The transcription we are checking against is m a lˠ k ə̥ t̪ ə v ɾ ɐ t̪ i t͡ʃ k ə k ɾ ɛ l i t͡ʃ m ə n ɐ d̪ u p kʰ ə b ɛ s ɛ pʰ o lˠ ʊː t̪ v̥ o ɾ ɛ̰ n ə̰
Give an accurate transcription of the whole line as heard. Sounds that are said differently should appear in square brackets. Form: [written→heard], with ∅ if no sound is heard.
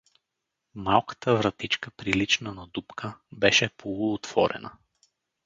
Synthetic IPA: m a lˠ k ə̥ t̪ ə v ɾ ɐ t̪ i t͡ʃ k ə [k→p] ɾ [ɛ→i] l i t͡ʃ [m→n] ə n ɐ d̪ u p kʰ ə b ɛ [s→ʃ] ɛ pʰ o lˠ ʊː t̪ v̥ [o→ɔ] ɾ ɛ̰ n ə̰